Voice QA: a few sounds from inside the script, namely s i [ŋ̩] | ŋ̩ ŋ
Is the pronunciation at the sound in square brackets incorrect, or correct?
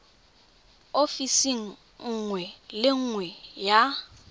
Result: correct